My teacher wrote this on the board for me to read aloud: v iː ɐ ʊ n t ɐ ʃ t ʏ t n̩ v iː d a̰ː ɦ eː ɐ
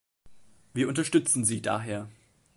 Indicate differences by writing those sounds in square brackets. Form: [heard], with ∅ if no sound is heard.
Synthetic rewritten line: v iː ɐ ʊ n t ɐ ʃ t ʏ [t͡s] n̩ [z] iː d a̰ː ɦ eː ɐ